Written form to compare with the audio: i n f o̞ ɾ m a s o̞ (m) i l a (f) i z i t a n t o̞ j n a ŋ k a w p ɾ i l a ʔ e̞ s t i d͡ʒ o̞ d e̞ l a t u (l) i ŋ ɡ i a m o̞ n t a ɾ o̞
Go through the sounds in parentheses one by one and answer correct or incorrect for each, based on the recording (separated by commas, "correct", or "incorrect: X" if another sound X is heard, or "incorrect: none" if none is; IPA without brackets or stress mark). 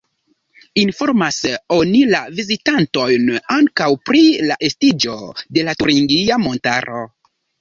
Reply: incorrect: n, incorrect: v, incorrect: ɾ